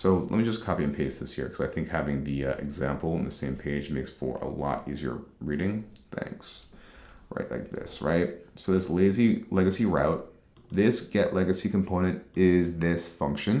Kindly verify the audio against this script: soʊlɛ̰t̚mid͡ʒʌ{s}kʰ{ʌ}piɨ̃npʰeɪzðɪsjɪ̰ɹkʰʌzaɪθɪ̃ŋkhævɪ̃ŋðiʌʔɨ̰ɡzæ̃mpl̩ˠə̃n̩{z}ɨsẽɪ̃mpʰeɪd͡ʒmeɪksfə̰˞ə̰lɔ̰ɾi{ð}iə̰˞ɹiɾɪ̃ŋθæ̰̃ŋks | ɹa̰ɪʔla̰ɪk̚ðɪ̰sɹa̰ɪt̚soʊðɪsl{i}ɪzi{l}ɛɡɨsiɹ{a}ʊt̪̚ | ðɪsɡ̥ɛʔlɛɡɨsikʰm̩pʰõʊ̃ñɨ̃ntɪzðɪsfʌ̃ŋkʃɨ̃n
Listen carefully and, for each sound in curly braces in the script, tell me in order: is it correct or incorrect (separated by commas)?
correct, incorrect, incorrect, incorrect, incorrect, correct, correct